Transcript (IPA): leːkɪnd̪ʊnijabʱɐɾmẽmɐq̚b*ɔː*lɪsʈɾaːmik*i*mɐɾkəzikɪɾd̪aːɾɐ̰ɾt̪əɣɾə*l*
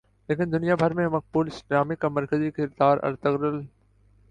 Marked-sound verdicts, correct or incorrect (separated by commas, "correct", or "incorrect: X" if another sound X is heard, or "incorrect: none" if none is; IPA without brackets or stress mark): incorrect: uː, incorrect: a, correct